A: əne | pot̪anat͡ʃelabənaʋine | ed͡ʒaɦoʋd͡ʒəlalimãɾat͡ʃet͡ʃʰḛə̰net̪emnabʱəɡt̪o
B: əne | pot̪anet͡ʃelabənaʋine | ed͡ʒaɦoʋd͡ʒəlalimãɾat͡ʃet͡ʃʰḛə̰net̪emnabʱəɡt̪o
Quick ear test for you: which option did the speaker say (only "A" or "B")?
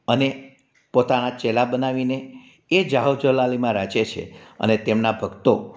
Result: A